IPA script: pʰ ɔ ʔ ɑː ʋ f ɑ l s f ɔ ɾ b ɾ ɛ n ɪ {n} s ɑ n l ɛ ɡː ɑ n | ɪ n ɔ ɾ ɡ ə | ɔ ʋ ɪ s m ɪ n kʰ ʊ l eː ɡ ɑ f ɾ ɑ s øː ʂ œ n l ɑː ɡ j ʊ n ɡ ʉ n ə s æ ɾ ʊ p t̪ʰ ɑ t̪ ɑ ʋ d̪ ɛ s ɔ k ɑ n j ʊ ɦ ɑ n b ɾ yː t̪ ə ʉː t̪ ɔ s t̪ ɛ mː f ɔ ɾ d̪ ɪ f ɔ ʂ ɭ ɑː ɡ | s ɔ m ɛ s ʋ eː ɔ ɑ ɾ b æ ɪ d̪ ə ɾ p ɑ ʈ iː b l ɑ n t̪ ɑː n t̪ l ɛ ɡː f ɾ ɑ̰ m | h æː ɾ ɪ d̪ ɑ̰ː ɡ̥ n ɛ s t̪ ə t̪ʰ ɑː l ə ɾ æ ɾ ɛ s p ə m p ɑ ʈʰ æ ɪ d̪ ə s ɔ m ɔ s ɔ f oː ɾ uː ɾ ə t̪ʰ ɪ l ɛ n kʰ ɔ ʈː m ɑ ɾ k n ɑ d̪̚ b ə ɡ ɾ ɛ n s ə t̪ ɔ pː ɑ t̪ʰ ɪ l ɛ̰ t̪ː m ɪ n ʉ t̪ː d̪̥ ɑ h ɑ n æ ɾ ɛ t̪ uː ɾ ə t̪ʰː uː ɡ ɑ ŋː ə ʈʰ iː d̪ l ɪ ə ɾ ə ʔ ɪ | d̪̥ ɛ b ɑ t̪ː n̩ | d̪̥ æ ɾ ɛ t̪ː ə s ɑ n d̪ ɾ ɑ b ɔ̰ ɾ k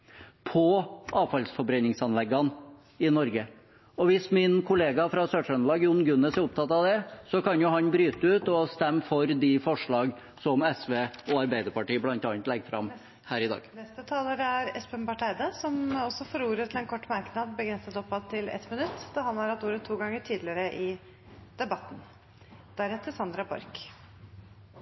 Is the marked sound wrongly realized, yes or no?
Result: yes